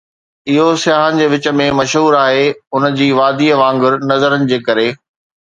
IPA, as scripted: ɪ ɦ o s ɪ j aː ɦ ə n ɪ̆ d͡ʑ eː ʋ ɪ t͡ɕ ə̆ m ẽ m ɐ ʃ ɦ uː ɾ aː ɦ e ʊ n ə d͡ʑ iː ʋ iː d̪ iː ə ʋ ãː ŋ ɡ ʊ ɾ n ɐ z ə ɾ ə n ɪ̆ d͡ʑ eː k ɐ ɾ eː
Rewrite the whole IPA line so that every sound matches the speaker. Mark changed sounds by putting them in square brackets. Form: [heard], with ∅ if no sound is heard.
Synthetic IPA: ɪ ɦ o s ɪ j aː ɦ ə n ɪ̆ d͡ʑ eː ʋ ɪ t͡ɕ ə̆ m ẽ m ɐ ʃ ɦ uː ɾ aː ɦ e ʊ n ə d͡ʑ iː ʋ [aː] d̪ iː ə ʋ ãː ŋ ɡ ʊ ɾ n ɐ z ə ɾ ə n ɪ̆ d͡ʑ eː k ɐ ɾ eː